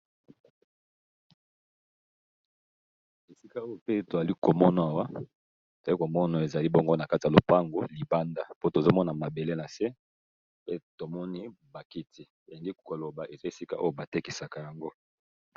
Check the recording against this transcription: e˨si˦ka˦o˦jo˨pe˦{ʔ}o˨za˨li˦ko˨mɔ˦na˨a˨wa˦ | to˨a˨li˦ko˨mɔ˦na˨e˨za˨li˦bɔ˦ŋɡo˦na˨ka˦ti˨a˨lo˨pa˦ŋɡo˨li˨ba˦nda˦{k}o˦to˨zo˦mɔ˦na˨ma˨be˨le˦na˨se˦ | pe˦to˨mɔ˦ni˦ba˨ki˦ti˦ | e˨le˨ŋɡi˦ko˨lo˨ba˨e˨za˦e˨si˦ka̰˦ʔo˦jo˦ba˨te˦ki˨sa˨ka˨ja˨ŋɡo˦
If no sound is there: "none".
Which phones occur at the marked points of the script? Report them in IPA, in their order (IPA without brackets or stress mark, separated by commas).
t, p